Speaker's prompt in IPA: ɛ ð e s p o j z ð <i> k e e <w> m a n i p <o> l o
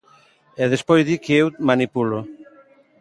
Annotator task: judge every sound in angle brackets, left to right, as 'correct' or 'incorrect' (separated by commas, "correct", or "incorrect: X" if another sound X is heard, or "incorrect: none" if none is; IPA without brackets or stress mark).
correct, correct, incorrect: u